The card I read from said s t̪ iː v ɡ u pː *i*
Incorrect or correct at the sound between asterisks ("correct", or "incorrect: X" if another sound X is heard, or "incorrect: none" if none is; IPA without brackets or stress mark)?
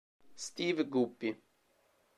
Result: correct